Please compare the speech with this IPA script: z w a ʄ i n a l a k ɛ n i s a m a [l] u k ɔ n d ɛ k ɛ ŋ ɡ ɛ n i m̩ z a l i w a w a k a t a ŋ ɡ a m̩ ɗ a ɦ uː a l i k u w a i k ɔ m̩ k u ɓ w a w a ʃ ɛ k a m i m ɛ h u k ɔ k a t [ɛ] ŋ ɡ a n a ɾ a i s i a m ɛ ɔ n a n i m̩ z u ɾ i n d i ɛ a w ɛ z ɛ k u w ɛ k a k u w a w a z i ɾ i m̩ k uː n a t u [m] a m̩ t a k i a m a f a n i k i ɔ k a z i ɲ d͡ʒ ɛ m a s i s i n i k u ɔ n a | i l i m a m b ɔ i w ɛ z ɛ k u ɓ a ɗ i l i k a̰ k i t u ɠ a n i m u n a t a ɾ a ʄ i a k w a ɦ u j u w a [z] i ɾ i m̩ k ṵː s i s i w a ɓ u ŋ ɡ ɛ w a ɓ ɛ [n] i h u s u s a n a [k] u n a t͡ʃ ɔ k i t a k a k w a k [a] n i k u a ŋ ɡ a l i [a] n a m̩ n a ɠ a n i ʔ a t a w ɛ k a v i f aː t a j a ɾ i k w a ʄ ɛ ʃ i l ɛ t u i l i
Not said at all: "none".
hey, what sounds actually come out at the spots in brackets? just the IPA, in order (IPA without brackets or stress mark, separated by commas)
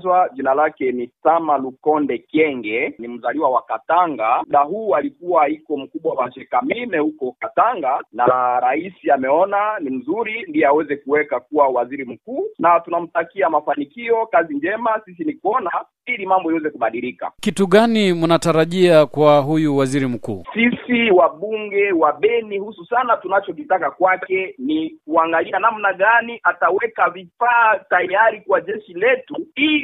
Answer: l, a, n, z, n, t, ɛ, a